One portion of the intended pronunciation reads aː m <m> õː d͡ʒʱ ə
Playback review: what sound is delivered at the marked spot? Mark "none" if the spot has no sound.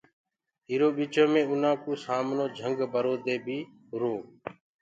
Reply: n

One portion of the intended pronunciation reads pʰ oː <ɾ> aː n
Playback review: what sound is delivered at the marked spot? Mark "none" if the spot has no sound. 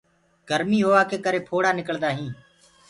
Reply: ɽ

